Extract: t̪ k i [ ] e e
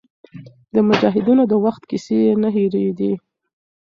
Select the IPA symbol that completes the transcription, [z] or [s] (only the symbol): s